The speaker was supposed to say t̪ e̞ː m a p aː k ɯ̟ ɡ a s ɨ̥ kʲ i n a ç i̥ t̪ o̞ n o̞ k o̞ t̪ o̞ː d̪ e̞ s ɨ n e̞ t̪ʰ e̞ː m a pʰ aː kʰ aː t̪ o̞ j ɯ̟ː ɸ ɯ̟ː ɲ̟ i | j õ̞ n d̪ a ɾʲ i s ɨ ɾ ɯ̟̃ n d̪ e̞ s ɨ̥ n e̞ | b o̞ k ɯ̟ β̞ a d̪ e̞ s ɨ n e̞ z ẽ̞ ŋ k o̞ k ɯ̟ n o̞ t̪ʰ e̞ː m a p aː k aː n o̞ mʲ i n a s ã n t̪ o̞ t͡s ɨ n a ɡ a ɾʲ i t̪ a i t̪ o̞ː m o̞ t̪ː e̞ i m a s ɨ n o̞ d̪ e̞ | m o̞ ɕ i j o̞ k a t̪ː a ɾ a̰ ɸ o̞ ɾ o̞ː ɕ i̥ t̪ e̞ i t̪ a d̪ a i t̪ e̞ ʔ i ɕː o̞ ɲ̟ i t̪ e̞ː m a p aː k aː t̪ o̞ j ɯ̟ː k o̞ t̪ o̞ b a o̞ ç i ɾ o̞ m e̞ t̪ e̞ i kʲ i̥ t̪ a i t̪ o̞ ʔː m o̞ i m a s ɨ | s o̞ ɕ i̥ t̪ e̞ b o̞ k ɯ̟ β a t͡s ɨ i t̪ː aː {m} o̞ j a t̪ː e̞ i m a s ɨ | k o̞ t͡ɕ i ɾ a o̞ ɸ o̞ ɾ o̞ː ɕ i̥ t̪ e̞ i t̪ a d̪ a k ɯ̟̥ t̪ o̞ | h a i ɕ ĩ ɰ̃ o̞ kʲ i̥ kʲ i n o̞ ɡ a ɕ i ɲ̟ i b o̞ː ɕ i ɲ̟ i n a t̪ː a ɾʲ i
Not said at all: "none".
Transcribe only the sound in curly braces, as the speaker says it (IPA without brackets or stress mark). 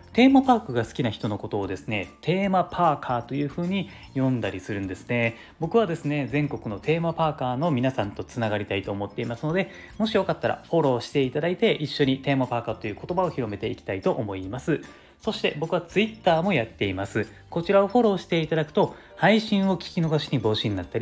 m